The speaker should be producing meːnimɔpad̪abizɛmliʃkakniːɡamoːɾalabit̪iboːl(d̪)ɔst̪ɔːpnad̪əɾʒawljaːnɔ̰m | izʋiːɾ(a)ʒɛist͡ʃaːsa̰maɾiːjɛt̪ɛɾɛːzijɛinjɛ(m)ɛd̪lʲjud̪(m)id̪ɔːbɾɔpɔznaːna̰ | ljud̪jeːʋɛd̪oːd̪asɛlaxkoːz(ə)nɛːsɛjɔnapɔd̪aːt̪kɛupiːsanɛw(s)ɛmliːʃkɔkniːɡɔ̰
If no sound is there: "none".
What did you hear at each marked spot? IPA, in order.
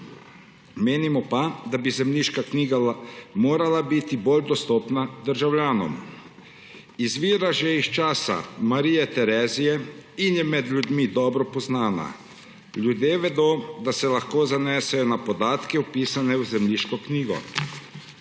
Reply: d̪, a, m, m, a, z

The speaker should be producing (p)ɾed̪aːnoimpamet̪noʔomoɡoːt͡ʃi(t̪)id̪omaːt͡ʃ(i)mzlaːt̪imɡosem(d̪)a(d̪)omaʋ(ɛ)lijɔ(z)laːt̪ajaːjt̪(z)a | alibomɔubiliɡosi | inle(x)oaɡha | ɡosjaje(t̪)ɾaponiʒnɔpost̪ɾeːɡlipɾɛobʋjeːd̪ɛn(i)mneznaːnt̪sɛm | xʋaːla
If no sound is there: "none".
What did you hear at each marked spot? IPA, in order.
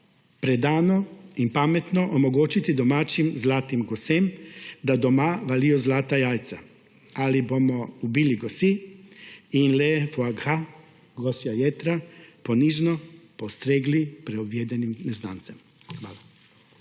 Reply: p, t̪, i, d̪, d̪, a, z, s, f, t̪, i

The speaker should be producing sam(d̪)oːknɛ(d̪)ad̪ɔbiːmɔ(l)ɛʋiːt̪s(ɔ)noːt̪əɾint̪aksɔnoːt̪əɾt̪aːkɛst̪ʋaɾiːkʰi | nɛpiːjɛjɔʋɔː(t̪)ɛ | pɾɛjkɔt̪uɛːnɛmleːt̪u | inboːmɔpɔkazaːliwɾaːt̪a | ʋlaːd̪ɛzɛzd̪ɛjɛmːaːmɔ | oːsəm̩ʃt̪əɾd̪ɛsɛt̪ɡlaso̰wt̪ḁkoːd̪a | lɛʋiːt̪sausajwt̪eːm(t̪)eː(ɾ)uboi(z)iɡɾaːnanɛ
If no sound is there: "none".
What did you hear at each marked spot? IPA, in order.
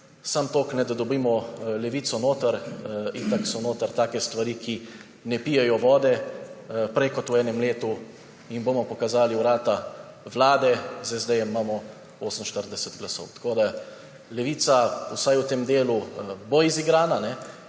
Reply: t̪, d̪, l, ɔ, d̪, d̪, l, z

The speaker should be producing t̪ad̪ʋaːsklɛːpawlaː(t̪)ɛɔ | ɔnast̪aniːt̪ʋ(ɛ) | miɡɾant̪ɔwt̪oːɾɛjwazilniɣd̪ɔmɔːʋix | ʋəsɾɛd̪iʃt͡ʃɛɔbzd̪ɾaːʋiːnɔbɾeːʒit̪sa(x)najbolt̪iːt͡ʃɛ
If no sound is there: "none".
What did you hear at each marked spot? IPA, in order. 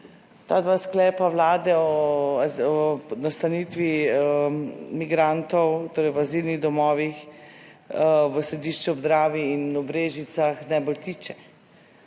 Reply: d̪, i, x

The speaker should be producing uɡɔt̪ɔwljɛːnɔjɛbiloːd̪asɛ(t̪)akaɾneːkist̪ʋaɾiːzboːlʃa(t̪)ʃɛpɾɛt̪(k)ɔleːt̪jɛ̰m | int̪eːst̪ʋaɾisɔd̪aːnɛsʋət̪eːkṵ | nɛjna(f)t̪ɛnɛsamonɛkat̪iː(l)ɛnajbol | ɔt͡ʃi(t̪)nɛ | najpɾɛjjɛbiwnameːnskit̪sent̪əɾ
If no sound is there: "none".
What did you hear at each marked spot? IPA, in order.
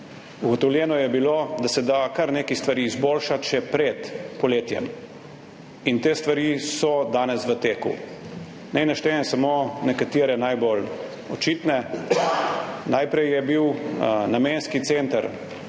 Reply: d̪, t̪, p, ʃ, ɾ, t̪

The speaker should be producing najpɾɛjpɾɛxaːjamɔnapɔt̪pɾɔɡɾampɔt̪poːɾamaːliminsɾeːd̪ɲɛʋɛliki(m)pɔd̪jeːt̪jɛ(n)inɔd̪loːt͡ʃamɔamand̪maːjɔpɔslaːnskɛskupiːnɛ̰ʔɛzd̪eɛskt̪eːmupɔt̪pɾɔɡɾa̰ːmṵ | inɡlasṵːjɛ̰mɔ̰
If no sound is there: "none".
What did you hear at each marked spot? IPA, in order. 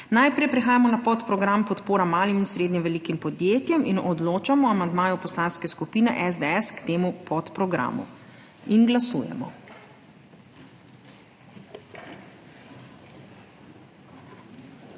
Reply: m, m

